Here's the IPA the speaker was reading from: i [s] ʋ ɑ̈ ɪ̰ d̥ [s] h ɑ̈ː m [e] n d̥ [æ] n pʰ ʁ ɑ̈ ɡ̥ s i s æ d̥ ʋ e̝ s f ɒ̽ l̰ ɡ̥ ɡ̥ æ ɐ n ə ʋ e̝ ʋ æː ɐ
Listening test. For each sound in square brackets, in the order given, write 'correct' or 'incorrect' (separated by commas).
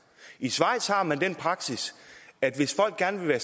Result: correct, correct, incorrect, incorrect